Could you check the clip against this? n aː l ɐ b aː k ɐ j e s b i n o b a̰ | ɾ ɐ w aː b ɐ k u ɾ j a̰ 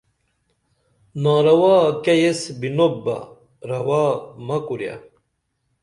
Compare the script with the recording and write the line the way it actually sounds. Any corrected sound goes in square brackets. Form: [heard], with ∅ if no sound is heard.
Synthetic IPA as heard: n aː [ɾ] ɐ [w] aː k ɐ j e s b i n o b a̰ | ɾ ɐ w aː [m] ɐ k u ɾ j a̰

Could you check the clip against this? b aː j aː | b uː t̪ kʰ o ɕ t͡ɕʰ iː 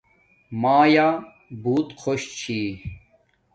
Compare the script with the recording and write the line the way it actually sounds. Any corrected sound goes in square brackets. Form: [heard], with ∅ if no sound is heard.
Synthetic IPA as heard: [m] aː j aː | b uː t̪ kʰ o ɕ t͡ɕʰ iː

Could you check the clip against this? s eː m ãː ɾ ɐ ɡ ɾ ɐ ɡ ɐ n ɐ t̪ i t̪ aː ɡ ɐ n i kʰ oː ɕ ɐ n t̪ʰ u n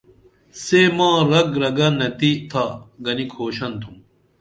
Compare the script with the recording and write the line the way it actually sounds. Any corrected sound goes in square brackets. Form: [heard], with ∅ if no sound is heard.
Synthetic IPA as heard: s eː m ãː ɾ ɐ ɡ ɾ ɐ ɡ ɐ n ɐ t̪ i [t̪ʰ] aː ɡ ɐ n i kʰ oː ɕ ɐ n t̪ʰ u [m]

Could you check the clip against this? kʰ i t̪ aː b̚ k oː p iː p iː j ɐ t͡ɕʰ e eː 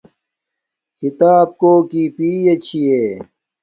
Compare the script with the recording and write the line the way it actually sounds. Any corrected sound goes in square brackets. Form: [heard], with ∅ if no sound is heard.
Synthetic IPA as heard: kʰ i t̪ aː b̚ k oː [k] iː p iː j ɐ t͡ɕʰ [i] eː

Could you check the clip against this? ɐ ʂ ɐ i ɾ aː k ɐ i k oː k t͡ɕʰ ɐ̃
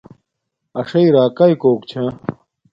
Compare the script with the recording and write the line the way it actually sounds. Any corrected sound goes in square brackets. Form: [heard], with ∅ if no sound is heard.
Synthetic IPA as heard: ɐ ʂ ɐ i ɾ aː k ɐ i k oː k t͡ɕʰ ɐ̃

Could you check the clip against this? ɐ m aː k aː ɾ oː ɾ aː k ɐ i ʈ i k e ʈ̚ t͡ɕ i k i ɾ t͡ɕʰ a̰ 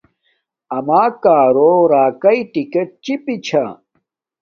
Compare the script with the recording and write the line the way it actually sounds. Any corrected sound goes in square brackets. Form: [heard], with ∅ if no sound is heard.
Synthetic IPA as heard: ɐ m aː k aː ɾ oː ɾ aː k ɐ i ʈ i k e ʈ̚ t͡ɕ i [p] i [∅] t͡ɕʰ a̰

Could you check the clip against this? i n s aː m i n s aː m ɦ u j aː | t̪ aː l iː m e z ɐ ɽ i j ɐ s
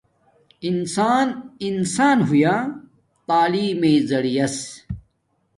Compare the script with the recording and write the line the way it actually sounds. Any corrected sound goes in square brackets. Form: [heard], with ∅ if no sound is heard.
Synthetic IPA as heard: i n s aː [n] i n s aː [n] ɦ u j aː | t̪ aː l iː m e z ɐ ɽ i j ɐ s

